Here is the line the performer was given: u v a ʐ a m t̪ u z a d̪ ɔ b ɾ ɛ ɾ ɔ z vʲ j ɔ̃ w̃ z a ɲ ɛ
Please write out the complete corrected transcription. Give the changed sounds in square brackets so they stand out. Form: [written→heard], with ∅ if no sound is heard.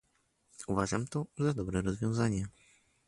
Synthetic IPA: u v a ʐ a m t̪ [u→ɔ] z a d̪ ɔ b ɾ ɛ ɾ ɔ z vʲ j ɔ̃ w̃ z a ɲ ɛ

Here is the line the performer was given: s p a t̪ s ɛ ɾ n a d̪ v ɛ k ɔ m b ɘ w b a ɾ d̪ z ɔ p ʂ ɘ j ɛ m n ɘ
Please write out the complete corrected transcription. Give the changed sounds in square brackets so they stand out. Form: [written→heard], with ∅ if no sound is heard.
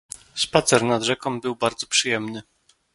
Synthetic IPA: s p a t̪ s ɛ ɾ n a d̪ [v→ʐ] ɛ k ɔ m b ɘ w b a ɾ d̪ z ɔ p ʂ ɘ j ɛ m n ɘ

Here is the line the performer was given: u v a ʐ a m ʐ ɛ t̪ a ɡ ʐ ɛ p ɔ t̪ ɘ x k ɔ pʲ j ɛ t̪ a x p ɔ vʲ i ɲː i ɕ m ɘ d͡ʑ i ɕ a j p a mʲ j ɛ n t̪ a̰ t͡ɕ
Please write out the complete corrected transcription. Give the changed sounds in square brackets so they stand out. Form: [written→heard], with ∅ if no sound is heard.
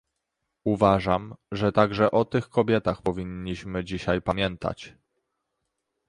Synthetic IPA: u v a ʐ a m ʐ ɛ t̪ a ɡ ʐ ɛ [p→ʔ] ɔ t̪ ɘ x k ɔ [pʲ→bʲ] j ɛ t̪ a x p ɔ vʲ i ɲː i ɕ m ɘ d͡ʑ i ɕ a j p a mʲ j ɛ n t̪ a̰ t͡ɕ

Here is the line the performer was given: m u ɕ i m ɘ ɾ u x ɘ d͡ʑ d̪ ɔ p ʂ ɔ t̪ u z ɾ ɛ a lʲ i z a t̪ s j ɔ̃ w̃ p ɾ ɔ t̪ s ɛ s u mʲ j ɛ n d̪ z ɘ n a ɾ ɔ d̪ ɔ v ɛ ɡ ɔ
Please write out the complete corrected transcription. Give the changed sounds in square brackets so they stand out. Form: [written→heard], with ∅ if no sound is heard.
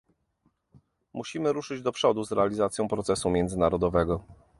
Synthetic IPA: m u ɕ i m ɘ ɾ u [x→ʂ] ɘ d͡ʑ d̪ ɔ p ʂ ɔ [t̪→d̪] u z ɾ ɛ a lʲ i z a t̪ s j ɔ̃ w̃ p ɾ ɔ t̪ s ɛ s u mʲ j ɛ n d̪ z ɘ n a ɾ ɔ d̪ ɔ v ɛ ɡ ɔ

